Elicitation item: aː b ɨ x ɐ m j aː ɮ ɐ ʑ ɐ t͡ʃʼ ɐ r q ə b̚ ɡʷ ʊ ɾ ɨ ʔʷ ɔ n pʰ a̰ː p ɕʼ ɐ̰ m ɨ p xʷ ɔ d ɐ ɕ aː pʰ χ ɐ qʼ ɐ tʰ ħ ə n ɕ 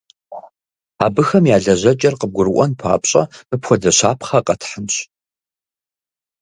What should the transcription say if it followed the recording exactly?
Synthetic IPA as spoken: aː b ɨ x ɐ m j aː ɮ ɐ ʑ ɐ t͡ʃʼ ɐ r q ə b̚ ɡʷ ʊ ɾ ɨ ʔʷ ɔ n pʰ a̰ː p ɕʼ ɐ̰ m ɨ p xʷ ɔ d ɐ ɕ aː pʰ χ ɐ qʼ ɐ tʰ ħ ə n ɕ